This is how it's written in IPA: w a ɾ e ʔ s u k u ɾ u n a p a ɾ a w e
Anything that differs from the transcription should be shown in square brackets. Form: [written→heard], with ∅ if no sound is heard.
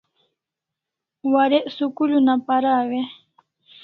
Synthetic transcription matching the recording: w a ɾ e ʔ s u k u [ɾ→l] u n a p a ɾ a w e